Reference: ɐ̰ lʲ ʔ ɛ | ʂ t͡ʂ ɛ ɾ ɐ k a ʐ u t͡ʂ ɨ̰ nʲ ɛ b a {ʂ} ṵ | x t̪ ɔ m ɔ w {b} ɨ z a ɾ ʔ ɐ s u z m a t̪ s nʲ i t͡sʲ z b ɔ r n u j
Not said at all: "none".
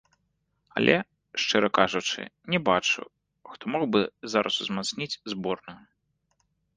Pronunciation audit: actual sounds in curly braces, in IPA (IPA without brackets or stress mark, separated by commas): t͡ʂ, b